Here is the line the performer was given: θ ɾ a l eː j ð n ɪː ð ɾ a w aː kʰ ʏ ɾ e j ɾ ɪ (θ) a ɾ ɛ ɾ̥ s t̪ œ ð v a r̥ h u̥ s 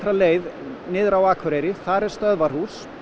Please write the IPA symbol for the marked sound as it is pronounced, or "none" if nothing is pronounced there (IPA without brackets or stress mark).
θ